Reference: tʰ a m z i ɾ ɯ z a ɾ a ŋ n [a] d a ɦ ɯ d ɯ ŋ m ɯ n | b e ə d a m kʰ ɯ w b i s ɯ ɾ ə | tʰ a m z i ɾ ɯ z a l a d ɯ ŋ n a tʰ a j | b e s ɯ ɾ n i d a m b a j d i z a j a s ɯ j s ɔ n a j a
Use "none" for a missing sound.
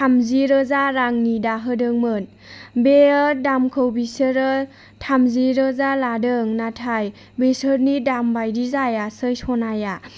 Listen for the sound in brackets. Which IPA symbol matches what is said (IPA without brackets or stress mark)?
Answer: i